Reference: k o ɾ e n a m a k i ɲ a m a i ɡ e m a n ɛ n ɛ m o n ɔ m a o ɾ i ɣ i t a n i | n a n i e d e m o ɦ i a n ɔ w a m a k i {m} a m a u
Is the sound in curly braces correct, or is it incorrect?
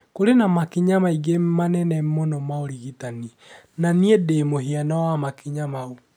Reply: incorrect: ɲ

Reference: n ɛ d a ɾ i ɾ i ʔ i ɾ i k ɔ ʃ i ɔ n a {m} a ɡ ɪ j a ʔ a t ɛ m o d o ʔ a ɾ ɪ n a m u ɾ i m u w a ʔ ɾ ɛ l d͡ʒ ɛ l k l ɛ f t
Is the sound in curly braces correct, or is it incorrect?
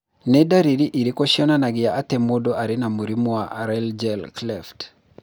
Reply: incorrect: n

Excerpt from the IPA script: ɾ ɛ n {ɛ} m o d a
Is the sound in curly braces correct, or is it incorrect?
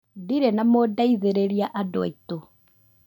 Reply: incorrect: a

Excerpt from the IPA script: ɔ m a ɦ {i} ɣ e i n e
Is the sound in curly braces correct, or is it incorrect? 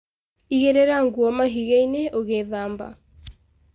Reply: correct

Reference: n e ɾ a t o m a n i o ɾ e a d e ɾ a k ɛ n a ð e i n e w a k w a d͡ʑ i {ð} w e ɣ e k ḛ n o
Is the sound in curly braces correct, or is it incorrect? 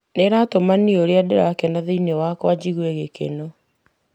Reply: incorrect: ɣ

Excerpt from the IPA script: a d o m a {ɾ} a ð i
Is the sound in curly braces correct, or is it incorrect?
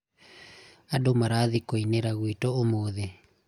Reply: correct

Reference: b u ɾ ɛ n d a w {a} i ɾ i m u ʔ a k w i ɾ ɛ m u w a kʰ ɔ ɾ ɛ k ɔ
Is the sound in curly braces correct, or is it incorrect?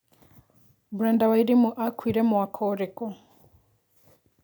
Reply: correct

